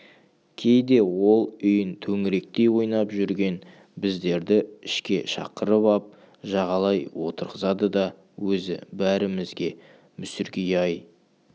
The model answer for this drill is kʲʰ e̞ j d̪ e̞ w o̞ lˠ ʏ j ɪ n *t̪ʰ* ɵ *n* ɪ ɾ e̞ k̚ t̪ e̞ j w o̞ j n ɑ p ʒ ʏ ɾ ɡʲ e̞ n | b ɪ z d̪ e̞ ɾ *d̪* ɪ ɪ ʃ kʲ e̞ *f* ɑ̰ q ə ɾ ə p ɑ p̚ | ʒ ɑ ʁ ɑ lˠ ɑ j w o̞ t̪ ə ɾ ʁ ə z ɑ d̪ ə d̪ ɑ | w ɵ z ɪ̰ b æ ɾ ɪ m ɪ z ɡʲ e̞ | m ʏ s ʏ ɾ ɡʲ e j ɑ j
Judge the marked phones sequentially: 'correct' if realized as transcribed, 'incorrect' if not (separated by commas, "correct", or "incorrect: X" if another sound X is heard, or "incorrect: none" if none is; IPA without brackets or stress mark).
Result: correct, incorrect: ŋ, correct, incorrect: ʃ